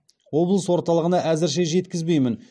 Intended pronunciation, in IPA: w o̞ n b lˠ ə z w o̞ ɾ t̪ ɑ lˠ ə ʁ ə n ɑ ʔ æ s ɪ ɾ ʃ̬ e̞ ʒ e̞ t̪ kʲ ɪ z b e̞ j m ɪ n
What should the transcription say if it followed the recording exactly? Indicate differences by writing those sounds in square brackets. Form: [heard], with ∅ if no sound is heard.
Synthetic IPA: w o̞ [∅] b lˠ ə [s] w o̞ ɾ t̪ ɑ lˠ ə ʁ ə n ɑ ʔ æ [z] ɪ ɾ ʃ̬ e̞ ʒ e̞ t̪ kʲ ɪ z b e̞ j m ɪ n